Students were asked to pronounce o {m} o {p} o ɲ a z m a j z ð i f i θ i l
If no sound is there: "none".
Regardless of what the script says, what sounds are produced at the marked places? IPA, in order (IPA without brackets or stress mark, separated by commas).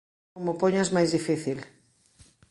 m, p